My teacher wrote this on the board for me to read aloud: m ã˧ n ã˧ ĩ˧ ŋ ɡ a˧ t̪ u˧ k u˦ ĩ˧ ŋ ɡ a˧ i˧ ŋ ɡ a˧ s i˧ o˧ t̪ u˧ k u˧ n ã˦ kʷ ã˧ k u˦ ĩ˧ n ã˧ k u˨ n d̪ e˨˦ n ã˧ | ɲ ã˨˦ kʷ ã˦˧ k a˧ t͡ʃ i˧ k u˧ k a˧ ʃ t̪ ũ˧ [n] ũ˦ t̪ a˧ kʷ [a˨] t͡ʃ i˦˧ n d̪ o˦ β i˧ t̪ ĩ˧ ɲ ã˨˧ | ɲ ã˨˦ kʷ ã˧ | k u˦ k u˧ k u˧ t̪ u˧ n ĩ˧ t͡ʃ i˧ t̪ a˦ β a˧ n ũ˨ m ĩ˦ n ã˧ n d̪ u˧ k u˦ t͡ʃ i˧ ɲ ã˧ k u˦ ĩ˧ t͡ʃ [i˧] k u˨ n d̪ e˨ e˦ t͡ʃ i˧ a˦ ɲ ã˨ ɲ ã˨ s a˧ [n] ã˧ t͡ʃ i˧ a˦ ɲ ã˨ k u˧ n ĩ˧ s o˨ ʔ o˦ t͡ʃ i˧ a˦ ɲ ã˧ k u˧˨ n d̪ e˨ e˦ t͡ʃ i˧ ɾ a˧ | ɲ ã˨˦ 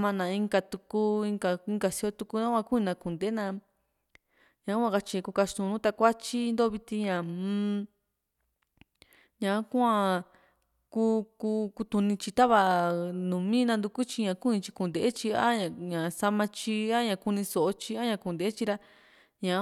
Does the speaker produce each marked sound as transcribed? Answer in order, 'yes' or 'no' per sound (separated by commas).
yes, no, yes, no